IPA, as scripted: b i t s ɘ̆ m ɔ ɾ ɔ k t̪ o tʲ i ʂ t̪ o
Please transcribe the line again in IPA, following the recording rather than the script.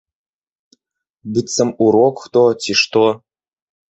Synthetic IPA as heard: b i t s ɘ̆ m u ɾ o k t̪ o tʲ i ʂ t̪ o